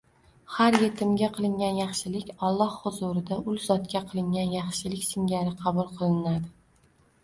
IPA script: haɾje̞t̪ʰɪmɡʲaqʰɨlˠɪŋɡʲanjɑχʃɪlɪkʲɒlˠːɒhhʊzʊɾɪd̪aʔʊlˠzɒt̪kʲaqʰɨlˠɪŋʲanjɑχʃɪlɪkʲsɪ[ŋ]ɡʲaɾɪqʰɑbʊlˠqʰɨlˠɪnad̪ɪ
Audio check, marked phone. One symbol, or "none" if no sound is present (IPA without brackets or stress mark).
ŋ